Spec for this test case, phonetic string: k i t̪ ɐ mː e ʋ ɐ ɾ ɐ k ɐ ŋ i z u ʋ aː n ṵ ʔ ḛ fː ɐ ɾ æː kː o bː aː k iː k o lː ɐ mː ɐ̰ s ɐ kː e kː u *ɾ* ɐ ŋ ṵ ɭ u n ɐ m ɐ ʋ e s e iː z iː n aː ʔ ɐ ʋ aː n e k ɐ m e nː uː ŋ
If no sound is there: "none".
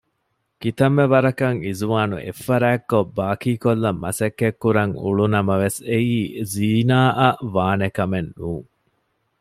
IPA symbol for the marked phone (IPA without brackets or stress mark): ɾ